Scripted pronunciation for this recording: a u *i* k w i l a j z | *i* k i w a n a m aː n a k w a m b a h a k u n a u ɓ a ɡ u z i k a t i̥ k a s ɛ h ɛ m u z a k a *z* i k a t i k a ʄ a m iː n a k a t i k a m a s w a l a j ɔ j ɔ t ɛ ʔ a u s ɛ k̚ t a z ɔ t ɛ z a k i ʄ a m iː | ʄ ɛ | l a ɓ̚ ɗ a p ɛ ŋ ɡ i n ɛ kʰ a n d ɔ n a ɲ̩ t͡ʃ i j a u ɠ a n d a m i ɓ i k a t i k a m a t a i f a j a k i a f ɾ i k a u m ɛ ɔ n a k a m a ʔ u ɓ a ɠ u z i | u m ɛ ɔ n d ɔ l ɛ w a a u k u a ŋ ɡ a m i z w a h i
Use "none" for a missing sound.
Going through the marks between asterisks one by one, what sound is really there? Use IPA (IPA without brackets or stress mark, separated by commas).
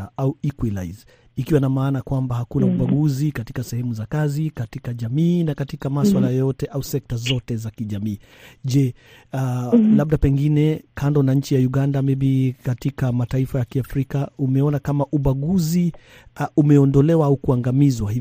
i, i, z